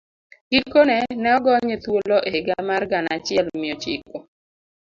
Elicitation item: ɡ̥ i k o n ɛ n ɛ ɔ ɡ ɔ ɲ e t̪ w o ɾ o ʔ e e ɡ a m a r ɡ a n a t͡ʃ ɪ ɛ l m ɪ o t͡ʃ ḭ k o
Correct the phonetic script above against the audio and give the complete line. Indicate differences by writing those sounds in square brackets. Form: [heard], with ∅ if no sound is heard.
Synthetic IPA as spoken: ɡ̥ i k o n ɛ n ɛ ɔ ɡ ɔ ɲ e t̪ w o [l] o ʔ e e ɡ a m a r ɡ a n a t͡ʃ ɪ ɛ l m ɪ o t͡ʃ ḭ k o